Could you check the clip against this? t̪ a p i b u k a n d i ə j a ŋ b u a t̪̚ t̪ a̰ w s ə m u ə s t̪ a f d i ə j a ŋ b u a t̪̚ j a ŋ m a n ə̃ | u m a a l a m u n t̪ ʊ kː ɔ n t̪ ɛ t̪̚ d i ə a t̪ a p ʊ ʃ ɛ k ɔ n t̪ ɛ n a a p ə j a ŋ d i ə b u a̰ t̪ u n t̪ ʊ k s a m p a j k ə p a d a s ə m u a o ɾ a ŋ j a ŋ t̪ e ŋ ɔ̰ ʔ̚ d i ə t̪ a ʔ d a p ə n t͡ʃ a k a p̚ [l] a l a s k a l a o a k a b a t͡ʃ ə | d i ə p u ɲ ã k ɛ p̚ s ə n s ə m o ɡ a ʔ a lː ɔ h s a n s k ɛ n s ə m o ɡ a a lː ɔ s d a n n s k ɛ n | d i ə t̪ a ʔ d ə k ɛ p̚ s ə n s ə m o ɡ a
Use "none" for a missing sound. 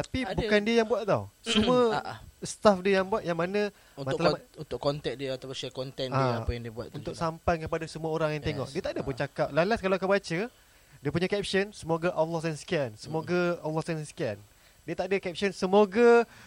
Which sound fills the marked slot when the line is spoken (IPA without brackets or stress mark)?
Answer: l